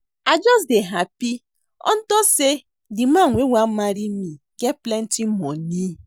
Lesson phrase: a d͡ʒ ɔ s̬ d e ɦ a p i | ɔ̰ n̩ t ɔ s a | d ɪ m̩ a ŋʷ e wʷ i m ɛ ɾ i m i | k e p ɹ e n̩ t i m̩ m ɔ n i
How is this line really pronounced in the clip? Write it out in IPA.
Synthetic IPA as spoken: a d͡ʒ ɔ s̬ d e ɦ a p i | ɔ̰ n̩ t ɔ s e | d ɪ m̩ a ŋʷ e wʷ a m a ɾ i m i | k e p l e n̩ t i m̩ m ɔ n i